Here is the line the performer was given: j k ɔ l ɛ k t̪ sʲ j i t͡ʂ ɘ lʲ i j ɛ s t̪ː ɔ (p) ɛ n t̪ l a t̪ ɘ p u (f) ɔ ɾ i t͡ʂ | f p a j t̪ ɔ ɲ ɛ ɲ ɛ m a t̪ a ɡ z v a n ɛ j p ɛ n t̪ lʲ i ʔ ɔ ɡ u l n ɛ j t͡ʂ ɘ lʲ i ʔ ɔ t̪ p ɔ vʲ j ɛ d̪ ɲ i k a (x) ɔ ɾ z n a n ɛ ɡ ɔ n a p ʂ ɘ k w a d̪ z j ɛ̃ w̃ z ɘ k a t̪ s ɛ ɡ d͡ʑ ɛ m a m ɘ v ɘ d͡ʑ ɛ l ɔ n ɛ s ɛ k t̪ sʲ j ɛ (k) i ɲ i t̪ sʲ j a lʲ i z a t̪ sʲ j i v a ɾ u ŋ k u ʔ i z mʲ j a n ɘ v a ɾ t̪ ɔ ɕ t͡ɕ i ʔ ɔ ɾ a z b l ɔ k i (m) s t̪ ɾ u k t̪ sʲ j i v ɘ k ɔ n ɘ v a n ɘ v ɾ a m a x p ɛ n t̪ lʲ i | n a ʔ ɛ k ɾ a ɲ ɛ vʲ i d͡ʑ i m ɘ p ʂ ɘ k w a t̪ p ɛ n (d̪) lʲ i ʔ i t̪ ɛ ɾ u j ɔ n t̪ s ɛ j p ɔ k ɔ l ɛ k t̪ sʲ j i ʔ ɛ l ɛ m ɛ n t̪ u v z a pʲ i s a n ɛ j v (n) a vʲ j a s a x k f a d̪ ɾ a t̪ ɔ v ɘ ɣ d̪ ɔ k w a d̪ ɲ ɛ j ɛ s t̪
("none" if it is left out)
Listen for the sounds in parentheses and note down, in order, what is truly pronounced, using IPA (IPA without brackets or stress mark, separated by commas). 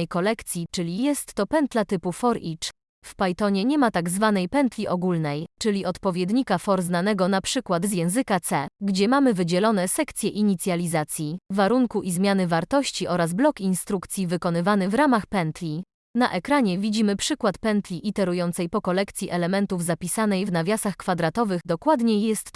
p, f, f, ʔ, n, t̪, n